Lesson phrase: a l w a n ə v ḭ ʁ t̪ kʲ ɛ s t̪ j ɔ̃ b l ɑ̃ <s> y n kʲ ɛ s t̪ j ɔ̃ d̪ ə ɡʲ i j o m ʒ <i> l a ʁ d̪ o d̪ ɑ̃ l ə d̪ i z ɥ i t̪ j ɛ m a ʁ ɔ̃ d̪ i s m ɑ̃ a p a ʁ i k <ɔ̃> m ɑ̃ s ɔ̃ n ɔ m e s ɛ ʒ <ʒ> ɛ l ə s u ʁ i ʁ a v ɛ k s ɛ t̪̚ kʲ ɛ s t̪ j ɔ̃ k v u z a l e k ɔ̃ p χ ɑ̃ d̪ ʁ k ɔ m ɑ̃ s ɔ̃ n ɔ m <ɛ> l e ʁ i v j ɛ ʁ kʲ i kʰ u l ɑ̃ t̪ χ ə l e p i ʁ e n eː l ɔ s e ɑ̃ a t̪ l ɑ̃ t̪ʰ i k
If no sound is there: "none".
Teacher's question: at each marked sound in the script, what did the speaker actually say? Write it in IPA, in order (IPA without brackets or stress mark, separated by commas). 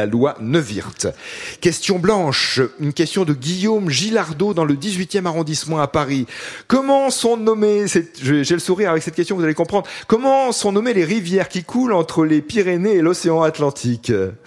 ʃ, i, ɔ, ʒ, e